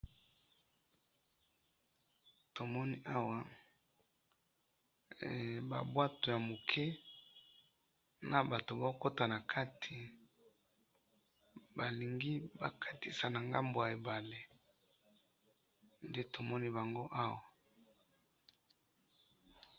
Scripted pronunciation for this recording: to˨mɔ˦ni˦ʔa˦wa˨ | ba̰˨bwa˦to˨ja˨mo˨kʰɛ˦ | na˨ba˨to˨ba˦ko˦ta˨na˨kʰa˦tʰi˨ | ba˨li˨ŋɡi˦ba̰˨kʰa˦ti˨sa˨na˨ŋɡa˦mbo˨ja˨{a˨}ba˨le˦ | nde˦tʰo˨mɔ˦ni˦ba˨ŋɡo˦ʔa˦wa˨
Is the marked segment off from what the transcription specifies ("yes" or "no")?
yes